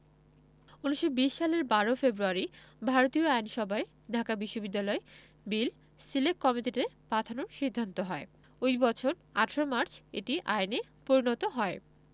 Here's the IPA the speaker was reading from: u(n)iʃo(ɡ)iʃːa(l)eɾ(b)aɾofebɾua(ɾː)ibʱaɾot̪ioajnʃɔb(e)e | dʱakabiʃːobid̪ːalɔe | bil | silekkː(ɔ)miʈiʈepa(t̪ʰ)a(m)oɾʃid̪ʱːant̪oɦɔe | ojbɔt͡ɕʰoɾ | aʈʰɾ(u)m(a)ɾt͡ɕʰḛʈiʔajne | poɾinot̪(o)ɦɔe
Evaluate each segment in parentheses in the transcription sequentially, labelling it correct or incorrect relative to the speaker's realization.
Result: correct, incorrect, correct, correct, incorrect, incorrect, correct, correct, incorrect, incorrect, correct, correct

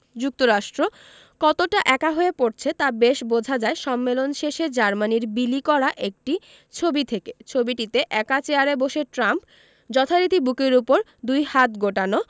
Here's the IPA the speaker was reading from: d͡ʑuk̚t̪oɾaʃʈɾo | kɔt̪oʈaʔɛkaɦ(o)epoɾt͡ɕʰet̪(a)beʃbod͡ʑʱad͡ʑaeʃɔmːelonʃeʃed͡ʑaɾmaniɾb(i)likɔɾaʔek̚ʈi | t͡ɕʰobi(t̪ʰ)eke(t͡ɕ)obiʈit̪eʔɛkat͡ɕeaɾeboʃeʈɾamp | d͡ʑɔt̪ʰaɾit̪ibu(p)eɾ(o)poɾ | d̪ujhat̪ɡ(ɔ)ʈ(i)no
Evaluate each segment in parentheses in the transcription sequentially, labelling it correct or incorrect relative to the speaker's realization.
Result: correct, correct, correct, correct, incorrect, incorrect, incorrect, incorrect, incorrect

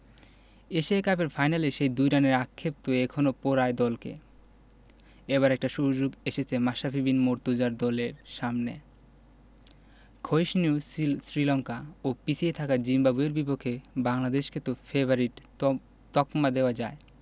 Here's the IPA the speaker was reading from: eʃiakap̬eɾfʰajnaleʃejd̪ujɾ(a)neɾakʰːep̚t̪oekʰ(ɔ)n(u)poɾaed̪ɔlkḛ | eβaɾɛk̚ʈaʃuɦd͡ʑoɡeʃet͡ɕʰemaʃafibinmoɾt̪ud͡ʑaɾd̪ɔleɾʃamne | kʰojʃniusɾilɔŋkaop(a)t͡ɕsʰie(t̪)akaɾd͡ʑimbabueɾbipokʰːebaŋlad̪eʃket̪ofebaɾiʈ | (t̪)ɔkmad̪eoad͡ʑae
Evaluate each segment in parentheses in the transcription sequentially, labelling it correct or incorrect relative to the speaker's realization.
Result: correct, incorrect, incorrect, incorrect, incorrect, correct

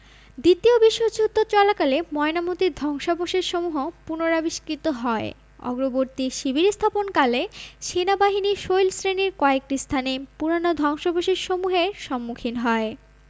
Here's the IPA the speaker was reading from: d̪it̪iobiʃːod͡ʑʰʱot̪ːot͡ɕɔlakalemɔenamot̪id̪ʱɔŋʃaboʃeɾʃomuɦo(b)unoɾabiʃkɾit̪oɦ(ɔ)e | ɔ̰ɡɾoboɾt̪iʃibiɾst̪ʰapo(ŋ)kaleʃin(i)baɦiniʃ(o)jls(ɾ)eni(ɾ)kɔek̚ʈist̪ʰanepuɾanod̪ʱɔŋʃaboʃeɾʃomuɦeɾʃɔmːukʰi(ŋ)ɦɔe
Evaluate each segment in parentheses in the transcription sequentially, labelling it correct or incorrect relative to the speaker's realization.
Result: incorrect, correct, incorrect, incorrect, correct, correct, correct, incorrect

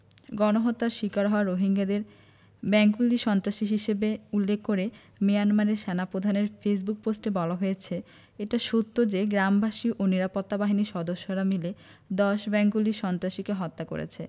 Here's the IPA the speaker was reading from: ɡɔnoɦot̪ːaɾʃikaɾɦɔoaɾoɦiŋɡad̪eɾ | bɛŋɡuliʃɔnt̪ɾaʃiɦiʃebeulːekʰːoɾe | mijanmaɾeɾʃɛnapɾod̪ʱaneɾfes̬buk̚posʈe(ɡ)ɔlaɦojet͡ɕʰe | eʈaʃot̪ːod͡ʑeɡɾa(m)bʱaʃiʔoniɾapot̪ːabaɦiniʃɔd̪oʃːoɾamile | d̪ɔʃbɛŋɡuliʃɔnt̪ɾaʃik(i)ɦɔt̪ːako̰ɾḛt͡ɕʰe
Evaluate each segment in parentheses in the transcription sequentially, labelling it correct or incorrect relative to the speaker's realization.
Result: incorrect, correct, incorrect

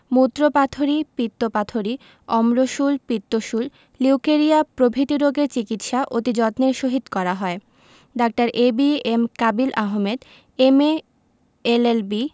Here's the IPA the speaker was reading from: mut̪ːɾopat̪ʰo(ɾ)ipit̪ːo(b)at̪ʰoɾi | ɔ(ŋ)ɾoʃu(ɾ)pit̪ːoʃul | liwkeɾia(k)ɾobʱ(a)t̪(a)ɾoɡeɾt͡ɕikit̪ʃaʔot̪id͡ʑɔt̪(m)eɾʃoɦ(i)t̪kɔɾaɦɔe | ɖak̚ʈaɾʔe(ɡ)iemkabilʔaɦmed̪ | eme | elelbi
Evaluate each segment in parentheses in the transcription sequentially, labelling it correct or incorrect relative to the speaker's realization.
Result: correct, incorrect, incorrect, incorrect, incorrect, incorrect, incorrect, incorrect, correct, incorrect

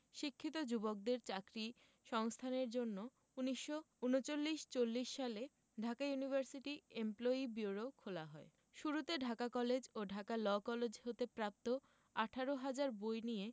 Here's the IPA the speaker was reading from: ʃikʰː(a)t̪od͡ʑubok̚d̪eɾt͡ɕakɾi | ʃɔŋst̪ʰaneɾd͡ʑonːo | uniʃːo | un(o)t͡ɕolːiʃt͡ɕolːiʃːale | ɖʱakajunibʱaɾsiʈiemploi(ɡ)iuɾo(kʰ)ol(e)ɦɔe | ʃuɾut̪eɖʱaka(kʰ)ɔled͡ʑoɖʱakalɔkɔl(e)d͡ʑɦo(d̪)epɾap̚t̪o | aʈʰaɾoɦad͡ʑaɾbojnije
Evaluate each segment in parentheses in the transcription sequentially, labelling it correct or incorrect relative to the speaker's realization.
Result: incorrect, correct, incorrect, correct, incorrect, incorrect, correct, incorrect

